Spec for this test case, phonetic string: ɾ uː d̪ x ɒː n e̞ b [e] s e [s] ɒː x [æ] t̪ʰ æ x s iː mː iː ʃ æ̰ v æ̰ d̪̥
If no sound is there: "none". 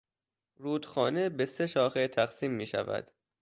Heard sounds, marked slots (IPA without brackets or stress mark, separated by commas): e, ʃ, e